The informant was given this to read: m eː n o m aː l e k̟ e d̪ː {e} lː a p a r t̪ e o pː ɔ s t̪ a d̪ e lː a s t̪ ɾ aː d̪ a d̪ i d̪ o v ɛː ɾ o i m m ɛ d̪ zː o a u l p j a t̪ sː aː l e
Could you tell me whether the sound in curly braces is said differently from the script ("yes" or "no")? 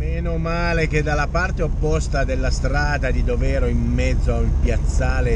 yes